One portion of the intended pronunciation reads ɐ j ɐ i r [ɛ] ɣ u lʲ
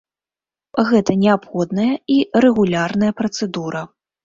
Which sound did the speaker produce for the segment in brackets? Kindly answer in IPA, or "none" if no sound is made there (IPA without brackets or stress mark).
ɛ